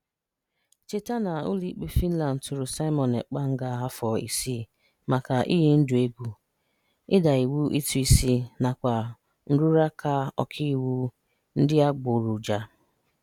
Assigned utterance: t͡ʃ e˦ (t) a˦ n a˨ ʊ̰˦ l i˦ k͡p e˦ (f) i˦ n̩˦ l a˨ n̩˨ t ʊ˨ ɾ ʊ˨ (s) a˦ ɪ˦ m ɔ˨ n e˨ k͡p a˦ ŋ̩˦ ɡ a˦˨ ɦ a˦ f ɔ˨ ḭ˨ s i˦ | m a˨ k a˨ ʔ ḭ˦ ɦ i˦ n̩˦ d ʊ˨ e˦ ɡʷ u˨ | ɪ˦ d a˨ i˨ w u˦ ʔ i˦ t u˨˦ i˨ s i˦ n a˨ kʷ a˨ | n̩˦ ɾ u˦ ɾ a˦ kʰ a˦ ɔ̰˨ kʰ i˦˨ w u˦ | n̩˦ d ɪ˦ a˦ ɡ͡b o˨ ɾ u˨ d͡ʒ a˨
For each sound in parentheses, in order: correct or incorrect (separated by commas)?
correct, correct, correct